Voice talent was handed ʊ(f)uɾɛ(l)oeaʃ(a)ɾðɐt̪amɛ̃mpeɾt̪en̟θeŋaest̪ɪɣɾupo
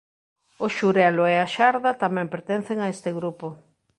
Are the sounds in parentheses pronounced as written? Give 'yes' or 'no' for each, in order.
no, yes, yes

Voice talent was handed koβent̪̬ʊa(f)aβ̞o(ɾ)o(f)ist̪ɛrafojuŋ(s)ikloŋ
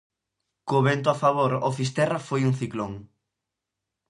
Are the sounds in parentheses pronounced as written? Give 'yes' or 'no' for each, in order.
yes, yes, yes, no

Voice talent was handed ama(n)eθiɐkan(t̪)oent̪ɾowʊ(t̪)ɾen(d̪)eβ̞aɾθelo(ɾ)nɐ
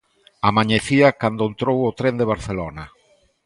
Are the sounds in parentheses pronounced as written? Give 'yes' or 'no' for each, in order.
no, no, yes, yes, no

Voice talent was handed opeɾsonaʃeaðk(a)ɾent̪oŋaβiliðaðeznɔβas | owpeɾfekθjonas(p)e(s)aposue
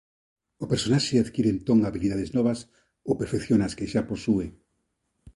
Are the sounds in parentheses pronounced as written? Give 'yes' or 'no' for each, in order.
no, no, no

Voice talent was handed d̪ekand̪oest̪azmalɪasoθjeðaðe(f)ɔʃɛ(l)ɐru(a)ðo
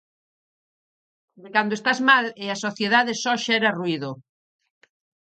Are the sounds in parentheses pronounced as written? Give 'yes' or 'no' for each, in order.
no, no, no

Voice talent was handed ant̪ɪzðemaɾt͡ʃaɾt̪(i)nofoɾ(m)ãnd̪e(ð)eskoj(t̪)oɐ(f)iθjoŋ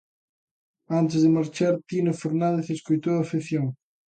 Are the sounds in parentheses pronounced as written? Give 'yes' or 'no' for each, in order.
yes, no, no, yes, yes

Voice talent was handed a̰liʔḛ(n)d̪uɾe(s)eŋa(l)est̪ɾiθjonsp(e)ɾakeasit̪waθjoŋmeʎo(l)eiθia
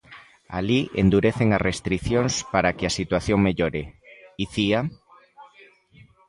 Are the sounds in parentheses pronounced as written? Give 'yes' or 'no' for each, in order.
yes, no, no, no, no

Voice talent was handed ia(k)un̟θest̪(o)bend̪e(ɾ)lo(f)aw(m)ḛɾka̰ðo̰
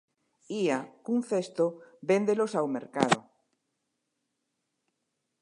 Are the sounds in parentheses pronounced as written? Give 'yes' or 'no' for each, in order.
yes, yes, no, no, yes

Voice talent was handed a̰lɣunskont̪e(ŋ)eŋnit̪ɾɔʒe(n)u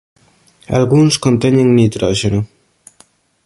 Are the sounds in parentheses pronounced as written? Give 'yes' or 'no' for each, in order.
no, yes

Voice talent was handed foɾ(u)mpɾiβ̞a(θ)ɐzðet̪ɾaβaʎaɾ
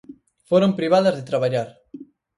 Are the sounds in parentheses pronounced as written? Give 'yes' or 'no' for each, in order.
no, no

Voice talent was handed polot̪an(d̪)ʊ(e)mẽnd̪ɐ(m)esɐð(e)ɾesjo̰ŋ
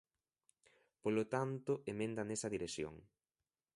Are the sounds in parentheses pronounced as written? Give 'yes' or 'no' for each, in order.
no, yes, no, no

